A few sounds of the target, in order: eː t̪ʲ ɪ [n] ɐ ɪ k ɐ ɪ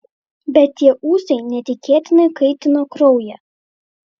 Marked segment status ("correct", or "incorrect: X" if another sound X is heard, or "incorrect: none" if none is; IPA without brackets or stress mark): correct